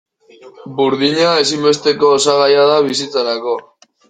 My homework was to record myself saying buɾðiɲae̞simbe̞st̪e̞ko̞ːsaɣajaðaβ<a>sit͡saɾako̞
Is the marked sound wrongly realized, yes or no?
yes